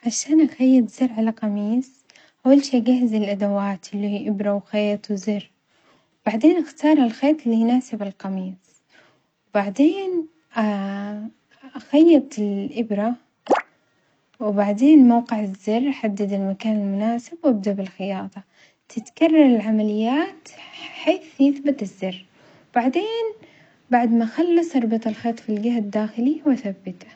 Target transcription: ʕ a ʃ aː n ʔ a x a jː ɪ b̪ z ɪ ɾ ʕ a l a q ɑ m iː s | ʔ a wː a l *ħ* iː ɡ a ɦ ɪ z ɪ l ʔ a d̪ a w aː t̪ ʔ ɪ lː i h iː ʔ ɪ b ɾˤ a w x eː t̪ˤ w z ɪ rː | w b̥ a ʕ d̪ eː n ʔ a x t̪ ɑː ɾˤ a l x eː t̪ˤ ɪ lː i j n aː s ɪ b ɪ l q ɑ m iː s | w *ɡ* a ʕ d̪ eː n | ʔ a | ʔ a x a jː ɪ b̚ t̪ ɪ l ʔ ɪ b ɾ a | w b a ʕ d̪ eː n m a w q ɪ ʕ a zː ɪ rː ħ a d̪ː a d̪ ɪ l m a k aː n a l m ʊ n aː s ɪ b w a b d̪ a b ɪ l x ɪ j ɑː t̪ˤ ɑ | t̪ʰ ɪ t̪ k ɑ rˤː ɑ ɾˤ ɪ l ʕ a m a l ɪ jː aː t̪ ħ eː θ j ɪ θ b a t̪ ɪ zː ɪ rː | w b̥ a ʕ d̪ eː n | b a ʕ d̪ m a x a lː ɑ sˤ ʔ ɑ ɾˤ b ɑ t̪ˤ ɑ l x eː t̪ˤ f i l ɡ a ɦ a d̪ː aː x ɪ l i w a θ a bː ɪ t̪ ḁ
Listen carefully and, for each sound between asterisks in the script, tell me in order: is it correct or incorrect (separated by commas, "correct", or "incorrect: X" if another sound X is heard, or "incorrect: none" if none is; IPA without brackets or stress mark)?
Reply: incorrect: ʃ, incorrect: b